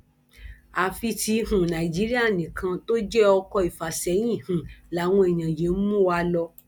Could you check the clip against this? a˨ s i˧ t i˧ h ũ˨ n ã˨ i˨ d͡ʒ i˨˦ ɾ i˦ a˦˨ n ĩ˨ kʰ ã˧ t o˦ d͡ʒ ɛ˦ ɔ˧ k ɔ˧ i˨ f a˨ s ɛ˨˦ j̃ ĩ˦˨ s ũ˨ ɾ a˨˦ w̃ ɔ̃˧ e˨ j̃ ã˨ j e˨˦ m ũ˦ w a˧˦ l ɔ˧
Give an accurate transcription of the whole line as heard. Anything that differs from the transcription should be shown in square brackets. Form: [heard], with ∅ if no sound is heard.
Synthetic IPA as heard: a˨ [f] i˧ t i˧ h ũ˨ n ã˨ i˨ d͡ʒ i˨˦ ɾ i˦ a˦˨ n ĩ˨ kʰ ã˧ t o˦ d͡ʒ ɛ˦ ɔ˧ k ɔ˧ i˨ f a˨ s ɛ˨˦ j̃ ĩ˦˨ [h] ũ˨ [l] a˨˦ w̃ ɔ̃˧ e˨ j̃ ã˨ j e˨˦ m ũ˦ w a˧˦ l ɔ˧